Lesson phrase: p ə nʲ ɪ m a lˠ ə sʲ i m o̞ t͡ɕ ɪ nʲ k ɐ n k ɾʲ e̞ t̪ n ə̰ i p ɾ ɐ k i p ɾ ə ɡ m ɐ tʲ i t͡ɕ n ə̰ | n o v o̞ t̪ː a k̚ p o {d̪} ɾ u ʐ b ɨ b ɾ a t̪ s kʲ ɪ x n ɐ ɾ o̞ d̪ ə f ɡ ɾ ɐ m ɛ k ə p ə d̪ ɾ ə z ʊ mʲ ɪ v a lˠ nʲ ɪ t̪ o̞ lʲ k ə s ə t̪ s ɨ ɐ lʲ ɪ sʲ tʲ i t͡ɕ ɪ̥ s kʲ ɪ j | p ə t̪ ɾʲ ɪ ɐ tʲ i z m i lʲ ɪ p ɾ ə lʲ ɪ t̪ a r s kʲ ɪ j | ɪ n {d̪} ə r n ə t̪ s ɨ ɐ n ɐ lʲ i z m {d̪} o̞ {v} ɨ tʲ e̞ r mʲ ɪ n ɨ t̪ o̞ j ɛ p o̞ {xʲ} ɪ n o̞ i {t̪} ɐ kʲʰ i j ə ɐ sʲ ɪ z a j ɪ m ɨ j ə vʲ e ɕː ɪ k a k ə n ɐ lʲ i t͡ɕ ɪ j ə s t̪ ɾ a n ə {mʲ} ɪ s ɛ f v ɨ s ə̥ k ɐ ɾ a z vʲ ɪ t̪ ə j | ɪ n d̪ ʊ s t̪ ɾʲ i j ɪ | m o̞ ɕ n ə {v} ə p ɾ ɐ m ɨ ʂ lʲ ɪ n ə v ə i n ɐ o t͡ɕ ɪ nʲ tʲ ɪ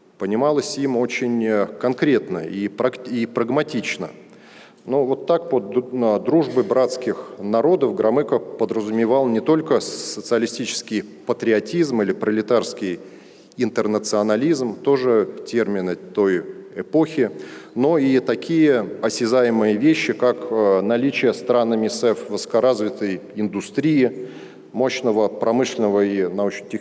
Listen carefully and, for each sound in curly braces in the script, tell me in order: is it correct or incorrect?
correct, incorrect: t̪, incorrect: t̪, incorrect: ʐ, correct, correct, correct, correct

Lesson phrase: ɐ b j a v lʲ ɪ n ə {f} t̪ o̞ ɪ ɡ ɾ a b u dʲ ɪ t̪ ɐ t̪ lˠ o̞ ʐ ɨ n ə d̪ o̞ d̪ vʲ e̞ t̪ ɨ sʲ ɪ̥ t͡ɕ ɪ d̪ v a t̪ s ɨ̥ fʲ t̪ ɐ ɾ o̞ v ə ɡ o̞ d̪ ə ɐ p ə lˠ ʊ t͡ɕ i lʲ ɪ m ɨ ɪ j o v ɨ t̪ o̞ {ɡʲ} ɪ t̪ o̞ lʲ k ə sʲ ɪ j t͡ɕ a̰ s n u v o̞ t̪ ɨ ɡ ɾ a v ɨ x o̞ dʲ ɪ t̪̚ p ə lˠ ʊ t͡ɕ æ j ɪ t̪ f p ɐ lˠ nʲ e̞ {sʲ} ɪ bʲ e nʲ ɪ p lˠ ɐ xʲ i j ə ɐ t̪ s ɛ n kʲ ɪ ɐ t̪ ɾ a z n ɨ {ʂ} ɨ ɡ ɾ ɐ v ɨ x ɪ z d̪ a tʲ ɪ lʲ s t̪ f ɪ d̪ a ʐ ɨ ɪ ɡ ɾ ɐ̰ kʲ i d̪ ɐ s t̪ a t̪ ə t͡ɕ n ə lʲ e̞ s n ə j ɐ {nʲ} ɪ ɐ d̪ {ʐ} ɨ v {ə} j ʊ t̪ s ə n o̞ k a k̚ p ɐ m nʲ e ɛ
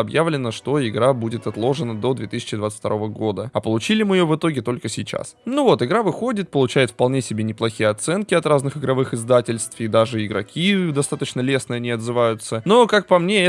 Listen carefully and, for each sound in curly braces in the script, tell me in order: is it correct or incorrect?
incorrect: ʂ, correct, correct, incorrect: x, correct, incorrect: z, incorrect: a

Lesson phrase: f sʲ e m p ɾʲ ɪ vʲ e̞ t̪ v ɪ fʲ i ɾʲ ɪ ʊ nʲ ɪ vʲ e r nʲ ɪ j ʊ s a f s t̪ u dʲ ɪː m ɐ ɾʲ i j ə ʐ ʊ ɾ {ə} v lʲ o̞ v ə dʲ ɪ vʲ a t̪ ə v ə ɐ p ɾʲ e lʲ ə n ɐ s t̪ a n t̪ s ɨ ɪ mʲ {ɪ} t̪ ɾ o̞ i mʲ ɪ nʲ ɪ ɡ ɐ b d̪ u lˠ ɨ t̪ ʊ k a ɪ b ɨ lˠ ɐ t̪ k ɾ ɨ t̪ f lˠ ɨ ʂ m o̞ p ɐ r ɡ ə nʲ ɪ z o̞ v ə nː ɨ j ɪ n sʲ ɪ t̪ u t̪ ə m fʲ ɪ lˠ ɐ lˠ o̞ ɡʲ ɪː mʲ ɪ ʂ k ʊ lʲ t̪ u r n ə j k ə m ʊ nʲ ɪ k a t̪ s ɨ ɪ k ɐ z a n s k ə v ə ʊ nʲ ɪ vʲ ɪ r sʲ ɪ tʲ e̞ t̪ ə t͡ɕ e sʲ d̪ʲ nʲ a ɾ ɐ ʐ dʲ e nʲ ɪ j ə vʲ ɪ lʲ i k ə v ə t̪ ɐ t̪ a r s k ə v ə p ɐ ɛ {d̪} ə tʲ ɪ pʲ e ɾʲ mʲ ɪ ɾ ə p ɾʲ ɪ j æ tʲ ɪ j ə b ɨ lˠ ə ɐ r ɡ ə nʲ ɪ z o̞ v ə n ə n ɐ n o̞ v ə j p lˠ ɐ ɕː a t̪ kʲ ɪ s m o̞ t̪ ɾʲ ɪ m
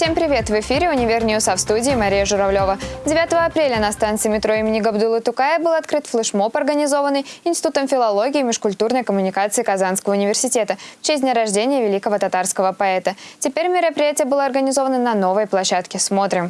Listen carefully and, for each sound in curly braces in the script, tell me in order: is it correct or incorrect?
incorrect: ɐ, correct, incorrect: t̪

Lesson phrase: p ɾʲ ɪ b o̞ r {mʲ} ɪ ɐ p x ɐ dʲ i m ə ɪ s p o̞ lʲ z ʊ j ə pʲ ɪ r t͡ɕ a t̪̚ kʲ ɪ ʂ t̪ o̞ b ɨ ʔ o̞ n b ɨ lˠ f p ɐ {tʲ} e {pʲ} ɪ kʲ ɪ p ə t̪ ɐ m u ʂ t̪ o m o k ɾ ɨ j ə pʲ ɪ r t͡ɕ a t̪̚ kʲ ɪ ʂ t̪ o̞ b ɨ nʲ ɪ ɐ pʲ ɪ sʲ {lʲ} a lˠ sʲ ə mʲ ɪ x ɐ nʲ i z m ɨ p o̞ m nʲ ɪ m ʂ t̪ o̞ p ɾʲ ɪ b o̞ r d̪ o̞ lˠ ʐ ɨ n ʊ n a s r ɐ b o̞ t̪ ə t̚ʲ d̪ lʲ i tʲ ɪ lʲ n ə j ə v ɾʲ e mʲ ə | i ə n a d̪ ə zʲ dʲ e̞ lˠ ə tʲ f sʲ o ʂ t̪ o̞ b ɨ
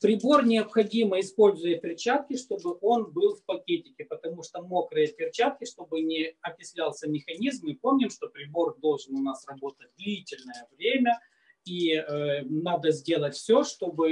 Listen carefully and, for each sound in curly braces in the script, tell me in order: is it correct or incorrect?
incorrect: nʲ, incorrect: kʲ, incorrect: tʲ, correct

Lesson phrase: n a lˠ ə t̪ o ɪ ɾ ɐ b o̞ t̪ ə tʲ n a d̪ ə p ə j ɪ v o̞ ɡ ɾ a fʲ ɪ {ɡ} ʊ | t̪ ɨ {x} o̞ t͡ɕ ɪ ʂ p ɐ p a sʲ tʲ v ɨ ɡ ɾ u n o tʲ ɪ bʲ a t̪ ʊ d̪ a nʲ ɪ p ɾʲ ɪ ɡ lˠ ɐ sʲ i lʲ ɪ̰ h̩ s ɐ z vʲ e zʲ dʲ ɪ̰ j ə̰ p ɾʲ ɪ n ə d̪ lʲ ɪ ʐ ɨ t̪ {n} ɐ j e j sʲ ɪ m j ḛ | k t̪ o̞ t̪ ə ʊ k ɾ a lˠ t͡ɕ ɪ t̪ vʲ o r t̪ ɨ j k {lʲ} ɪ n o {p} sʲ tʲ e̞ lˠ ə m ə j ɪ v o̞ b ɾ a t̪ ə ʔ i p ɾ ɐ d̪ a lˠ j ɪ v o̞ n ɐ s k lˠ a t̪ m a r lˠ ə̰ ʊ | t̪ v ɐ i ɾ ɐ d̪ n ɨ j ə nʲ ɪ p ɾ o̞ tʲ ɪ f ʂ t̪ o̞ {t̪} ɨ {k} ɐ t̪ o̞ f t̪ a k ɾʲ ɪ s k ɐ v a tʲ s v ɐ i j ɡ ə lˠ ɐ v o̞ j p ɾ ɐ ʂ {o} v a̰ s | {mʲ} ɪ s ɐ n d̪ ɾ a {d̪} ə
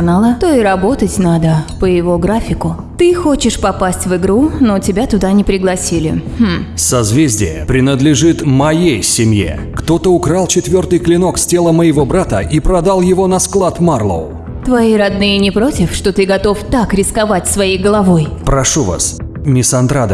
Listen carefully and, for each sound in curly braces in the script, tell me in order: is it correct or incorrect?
incorrect: k, correct, incorrect: m, correct, incorrect: k, correct, incorrect: ɡ, incorrect: u, correct, correct

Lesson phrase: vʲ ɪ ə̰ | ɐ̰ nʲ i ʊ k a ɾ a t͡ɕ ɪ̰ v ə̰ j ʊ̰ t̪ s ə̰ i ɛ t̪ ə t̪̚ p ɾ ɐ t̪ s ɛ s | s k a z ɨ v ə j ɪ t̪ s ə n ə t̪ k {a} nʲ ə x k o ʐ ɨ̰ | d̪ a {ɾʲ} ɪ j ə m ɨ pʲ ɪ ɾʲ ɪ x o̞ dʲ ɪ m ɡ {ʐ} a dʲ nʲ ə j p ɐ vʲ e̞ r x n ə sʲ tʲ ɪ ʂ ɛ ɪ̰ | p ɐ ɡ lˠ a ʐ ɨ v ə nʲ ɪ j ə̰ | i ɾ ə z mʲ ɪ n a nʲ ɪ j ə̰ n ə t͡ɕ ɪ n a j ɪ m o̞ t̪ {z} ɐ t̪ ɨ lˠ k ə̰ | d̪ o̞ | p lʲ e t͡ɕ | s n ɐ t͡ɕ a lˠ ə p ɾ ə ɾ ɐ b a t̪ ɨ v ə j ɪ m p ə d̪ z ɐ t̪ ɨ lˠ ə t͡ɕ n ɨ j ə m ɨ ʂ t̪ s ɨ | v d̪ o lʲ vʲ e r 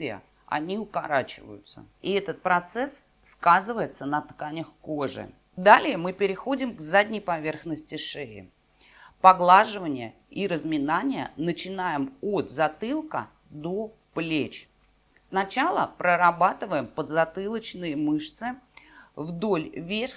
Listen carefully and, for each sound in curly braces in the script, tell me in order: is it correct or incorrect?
correct, incorrect: lʲ, incorrect: z, correct

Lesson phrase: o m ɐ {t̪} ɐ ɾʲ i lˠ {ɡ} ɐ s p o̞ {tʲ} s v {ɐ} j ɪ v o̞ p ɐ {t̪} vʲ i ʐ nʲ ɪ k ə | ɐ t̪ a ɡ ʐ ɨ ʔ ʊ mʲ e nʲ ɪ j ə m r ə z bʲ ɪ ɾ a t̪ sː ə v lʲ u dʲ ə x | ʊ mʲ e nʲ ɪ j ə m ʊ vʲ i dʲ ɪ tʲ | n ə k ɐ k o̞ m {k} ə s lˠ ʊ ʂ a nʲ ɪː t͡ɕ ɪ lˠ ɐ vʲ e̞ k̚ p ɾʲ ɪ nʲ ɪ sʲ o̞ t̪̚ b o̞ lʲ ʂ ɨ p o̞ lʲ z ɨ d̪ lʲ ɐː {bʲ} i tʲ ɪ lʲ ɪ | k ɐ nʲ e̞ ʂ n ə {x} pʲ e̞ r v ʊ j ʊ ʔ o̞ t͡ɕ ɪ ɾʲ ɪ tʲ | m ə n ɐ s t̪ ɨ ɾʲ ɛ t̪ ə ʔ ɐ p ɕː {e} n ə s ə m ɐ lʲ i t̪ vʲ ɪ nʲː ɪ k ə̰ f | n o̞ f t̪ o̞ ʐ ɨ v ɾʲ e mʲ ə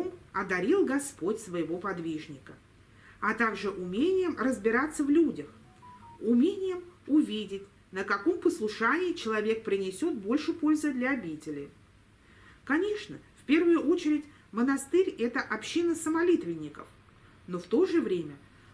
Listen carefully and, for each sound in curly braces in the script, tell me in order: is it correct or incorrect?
incorrect: d̪, correct, correct, incorrect: ə, incorrect: d̪, incorrect: p, correct, incorrect: f, incorrect: i

